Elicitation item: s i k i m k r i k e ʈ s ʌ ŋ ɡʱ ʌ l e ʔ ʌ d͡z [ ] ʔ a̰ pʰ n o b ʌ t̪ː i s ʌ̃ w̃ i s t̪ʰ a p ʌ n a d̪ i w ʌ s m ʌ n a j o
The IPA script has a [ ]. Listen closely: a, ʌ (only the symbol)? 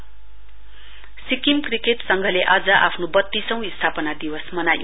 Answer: ʌ